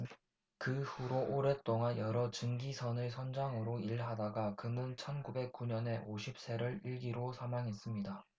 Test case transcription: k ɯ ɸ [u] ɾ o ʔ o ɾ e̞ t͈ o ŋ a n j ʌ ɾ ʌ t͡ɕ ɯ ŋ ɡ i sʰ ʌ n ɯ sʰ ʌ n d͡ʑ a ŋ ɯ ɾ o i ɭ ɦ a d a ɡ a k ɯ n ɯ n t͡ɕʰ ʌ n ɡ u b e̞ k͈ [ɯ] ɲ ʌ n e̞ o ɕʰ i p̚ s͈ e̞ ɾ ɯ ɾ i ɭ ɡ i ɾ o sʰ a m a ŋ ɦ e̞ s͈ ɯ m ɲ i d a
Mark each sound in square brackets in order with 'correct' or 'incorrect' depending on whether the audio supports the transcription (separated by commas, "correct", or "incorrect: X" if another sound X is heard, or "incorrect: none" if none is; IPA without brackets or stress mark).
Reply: correct, incorrect: u